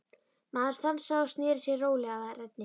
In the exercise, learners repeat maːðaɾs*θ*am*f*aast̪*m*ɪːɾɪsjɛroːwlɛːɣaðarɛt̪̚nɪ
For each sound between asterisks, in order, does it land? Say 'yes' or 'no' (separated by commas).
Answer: yes, no, no